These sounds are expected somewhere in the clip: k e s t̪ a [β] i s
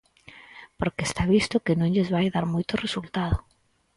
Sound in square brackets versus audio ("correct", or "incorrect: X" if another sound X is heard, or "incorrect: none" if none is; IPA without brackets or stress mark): correct